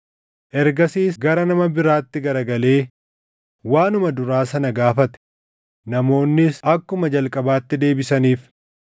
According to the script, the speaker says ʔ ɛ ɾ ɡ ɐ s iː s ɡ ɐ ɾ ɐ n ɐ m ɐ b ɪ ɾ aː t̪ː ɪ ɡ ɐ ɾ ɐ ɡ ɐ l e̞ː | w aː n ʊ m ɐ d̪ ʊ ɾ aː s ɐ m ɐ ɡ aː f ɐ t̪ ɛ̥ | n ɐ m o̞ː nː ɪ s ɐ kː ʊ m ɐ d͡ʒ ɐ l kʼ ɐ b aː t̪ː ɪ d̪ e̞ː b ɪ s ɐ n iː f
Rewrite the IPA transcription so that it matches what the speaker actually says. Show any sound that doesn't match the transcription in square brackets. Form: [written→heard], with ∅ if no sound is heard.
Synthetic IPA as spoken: ʔ ɛ ɾ ɡ ɐ s iː s ɡ ɐ ɾ ɐ n ɐ m ɐ b ɪ ɾ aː t̪ː ɪ ɡ ɐ ɾ ɐ ɡ ɐ l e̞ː | w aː n ʊ m ɐ d̪ ʊ ɾ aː s ɐ [m→n] ɐ ɡ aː f ɐ t̪ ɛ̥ | n ɐ m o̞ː nː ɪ s ɐ kː ʊ m ɐ d͡ʒ ɐ l kʼ ɐ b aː t̪ː ɪ d̪ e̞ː b ɪ s ɐ n iː f

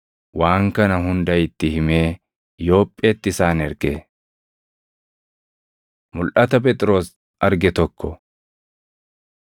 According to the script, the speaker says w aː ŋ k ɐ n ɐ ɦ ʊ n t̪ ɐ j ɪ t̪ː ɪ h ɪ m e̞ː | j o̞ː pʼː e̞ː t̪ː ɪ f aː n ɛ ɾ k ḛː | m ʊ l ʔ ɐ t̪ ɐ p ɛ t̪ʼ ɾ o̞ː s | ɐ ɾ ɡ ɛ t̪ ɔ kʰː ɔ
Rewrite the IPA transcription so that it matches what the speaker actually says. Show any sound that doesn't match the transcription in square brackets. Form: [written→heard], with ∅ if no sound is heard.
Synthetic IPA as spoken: w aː ŋ k ɐ n ɐ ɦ ʊ n [t̪→d̪] ɐ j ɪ t̪ː ɪ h ɪ m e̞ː | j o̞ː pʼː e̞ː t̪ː ɪ [f→s] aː n ɛ ɾ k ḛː | m ʊ l ʔ ɐ t̪ ɐ p ɛ t̪ʼ ɾ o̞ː s | ɐ ɾ ɡ ɛ t̪ ɔ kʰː ɔ

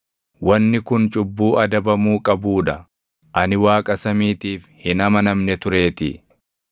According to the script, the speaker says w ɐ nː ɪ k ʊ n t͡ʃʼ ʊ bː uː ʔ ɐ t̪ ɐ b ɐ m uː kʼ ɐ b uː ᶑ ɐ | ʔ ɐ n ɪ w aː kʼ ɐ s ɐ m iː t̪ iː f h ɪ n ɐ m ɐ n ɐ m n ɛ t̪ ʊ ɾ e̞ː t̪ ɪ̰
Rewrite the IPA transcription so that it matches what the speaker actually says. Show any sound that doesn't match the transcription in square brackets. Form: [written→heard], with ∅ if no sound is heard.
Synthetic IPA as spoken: w ɐ nː ɪ k ʊ n t͡ʃʼ ʊ bː uː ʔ ɐ [t̪→d̪] ɐ b ɐ m uː kʼ ɐ b uː ᶑ ɐ | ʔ ɐ n ɪ w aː kʼ ɐ s ɐ m iː t̪ iː f h ɪ n ɐ m ɐ n ɐ m n ɛ t̪ ʊ ɾ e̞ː t̪ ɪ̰

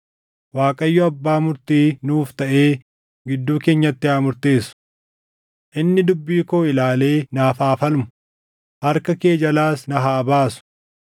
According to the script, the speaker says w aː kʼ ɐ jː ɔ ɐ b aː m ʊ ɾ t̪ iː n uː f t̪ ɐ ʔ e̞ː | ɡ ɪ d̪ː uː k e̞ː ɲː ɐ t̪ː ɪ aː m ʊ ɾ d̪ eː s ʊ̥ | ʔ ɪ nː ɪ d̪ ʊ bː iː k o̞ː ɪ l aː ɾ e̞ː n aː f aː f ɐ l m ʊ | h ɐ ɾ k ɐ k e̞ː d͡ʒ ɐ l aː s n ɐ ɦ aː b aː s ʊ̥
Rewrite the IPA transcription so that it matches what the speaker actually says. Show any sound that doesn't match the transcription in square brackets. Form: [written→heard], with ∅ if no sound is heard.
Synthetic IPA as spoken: w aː kʼ ɐ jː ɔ ɐ [b→bː] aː m ʊ ɾ t̪ iː n uː f t̪ ɐ ʔ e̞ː | ɡ ɪ d̪ː uː k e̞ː ɲː ɐ t̪ː ɪ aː m ʊ ɾ [d̪→t̪] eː s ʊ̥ | ʔ ɪ nː ɪ d̪ ʊ bː iː k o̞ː ɪ l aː [ɾ→l] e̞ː n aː f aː f ɐ l m ʊ | h ɐ ɾ k ɐ k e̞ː d͡ʒ ɐ l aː s n ɐ ɦ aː b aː s ʊ̥

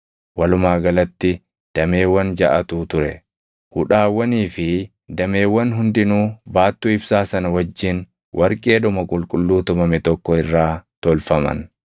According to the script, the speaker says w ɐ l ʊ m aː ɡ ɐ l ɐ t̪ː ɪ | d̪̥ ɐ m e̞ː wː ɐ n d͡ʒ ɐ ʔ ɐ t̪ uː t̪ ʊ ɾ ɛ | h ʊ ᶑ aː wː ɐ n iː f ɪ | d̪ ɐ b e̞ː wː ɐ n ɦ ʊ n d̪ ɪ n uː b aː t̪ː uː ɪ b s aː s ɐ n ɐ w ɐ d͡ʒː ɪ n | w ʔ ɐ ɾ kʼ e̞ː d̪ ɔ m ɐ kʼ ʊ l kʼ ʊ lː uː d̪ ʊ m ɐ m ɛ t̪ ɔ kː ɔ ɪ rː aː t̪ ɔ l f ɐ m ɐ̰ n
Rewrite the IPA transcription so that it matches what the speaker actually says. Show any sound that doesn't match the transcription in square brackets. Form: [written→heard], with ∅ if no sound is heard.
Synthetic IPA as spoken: w ɐ l ʊ m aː ɡ ɐ l ɐ t̪ː ɪ | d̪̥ ɐ m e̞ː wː ɐ n d͡ʒ ɐ ʔ ɐ t̪ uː t̪ ʊ ɾ ɛ | h ʊ ᶑ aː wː ɐ n iː f ɪ | d̪ ɐ [b→m] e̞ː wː ɐ n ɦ ʊ n d̪ ɪ n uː b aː t̪ː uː ɪ b s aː s ɐ n ɐ w ɐ d͡ʒː ɪ n | w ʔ ɐ ɾ kʼ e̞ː d̪ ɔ m ɐ kʼ ʊ l kʼ ʊ lː uː [d̪→t̪] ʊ m ɐ m ɛ t̪ ɔ kː ɔ ɪ rː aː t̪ ɔ l f ɐ m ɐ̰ n

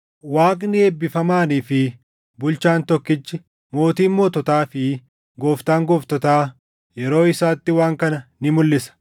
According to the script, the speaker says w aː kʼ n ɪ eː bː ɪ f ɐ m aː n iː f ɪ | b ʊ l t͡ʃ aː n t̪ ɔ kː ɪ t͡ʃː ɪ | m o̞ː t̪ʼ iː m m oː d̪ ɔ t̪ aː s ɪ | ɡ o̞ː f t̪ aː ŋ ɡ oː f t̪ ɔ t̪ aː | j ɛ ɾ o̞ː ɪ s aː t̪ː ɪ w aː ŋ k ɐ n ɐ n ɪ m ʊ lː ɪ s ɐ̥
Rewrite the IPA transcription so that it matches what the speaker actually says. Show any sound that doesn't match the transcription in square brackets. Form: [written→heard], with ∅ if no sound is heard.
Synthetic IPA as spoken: w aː kʼ n ɪ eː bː ɪ f ɐ m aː n iː f ɪ | b ʊ l t͡ʃ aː n t̪ ɔ kː ɪ t͡ʃː ɪ | m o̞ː [t̪ʼ→t̪] iː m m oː [d̪→t̪] ɔ t̪ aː [s→f] ɪ | ɡ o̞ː f t̪ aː ŋ ɡ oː f t̪ ɔ t̪ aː | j ɛ ɾ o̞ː ɪ s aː t̪ː ɪ w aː ŋ k ɐ n ɐ n ɪ m ʊ lː ɪ s ɐ̥

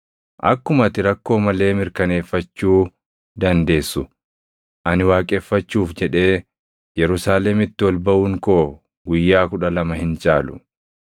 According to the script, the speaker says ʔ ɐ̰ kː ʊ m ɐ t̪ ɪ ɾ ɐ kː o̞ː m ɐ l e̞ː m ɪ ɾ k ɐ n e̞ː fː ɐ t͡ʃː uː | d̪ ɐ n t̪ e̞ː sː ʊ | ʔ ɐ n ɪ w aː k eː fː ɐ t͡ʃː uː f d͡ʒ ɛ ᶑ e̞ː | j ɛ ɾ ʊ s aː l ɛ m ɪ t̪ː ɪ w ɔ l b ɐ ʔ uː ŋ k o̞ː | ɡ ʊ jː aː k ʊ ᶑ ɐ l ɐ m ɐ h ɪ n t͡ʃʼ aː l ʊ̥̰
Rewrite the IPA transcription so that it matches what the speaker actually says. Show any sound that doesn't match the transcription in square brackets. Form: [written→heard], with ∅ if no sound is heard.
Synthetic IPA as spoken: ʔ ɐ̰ kː ʊ m ɐ t̪ ɪ ɾ ɐ kː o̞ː m ɐ l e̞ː m ɪ ɾ k ɐ n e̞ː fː ɐ t͡ʃː uː | d̪ ɐ n [t̪→d̪] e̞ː sː ʊ | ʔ ɐ n ɪ w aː [k→kʼ] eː fː ɐ t͡ʃː uː f d͡ʒ ɛ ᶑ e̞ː | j ɛ ɾ ʊ s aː l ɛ m ɪ t̪ː ɪ w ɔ l b ɐ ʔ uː ŋ k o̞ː | ɡ ʊ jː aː k ʊ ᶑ ɐ l ɐ m ɐ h ɪ n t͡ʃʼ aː l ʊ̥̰

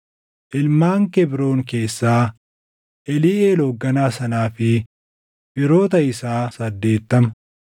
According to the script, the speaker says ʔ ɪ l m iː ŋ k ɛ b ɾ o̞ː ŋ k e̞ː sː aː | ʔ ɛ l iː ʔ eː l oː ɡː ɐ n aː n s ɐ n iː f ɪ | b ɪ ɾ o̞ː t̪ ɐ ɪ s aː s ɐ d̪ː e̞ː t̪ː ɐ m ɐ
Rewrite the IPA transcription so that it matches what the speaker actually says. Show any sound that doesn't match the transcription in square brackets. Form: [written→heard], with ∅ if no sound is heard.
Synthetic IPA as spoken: ʔ ɪ l m [iː→aː] ŋ k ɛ b ɾ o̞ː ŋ k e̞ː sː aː | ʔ ɛ l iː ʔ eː l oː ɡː ɐ n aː [n→∅] s ɐ n [iː→aː] f ɪ | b ɪ ɾ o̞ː t̪ ɐ ɪ s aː s ɐ d̪ː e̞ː t̪ː ɐ m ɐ

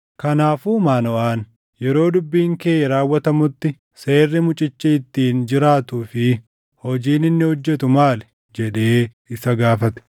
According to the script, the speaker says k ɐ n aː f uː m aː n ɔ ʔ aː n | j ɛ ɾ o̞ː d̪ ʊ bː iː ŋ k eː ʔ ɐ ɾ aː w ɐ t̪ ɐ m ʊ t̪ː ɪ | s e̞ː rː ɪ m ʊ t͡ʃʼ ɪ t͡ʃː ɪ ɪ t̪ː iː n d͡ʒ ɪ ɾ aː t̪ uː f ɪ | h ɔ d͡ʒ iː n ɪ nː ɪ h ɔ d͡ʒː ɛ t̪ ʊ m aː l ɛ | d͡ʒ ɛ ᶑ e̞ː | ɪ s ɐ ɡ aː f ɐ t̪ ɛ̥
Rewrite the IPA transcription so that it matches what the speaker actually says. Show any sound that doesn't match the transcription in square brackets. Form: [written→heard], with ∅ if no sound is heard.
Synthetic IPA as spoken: k ɐ n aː f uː m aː n ɔ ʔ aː n | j ɛ ɾ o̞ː d̪ ʊ bː iː ŋ k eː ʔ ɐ ɾ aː [w→wː] ɐ t̪ ɐ m ʊ t̪ː ɪ | s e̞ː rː ɪ m ʊ t͡ʃʼ ɪ t͡ʃː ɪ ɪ t̪ː iː n d͡ʒ ɪ ɾ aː t̪ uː f ɪ | h ɔ d͡ʒ iː n ɪ nː ɪ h ɔ d͡ʒː ɛ t̪ ʊ m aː l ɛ | d͡ʒ ɛ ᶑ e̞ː | ɪ s ɐ ɡ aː f ɐ t̪ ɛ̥

